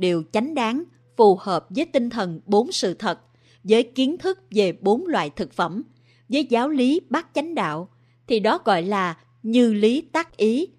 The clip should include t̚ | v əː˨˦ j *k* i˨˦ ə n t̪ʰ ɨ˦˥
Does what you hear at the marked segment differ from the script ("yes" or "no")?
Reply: no